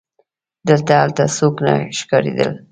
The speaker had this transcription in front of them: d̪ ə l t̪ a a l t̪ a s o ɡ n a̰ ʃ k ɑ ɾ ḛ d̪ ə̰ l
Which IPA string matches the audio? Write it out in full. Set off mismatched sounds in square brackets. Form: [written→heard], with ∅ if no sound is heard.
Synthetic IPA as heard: d̪ ə l t̪ a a l t̪ a s o [ɡ→k] n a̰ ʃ k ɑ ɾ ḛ d̪ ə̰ l